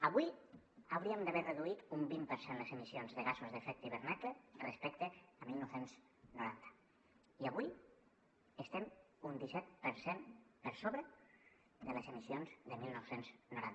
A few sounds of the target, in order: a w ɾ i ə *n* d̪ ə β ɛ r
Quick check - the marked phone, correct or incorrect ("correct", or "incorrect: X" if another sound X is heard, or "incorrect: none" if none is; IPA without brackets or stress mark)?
incorrect: m